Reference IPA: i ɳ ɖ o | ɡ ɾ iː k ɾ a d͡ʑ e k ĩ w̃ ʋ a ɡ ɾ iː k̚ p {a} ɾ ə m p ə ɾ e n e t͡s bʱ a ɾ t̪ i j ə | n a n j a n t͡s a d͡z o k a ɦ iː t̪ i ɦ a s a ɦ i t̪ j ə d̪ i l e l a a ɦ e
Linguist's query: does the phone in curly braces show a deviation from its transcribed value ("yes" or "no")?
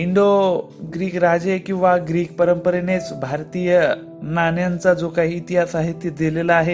yes